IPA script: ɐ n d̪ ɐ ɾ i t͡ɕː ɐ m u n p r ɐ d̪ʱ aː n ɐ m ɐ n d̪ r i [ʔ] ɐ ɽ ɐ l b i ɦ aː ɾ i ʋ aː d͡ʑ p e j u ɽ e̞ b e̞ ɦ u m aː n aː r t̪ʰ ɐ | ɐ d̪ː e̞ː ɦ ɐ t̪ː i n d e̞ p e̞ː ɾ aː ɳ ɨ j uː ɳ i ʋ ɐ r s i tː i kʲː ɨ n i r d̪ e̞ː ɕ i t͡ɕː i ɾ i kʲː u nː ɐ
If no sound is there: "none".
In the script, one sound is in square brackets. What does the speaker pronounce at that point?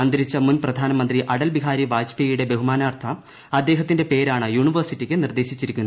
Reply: ʔ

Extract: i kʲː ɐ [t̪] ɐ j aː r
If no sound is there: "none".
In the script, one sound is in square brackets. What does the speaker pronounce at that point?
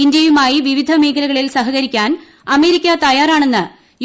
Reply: t̪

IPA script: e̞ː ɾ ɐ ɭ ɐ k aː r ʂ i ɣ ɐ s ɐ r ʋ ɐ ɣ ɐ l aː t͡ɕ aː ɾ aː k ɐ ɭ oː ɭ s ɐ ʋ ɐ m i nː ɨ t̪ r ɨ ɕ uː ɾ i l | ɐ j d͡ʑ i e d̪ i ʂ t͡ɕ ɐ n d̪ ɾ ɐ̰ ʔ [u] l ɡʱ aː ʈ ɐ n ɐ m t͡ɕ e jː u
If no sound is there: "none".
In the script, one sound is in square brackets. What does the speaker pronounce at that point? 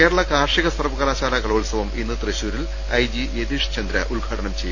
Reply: u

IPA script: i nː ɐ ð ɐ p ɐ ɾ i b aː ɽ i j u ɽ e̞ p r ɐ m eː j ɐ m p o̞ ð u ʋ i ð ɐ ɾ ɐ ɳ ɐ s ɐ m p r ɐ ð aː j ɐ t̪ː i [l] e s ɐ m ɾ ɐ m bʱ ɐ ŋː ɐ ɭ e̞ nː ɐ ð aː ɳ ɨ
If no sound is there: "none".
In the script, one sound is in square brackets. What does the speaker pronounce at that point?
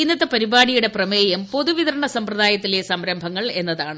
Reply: l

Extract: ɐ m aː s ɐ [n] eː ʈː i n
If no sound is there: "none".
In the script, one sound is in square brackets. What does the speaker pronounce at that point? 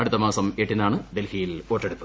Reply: m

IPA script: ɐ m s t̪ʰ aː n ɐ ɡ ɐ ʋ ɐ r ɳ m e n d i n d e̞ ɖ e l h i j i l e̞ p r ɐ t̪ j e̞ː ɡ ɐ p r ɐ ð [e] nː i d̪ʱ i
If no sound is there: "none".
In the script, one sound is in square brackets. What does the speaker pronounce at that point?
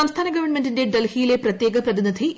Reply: i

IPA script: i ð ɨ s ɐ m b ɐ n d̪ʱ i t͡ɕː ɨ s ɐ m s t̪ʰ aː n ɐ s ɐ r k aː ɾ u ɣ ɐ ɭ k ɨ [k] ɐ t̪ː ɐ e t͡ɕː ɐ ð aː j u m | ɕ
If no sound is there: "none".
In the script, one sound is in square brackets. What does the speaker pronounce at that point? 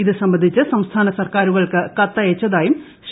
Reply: k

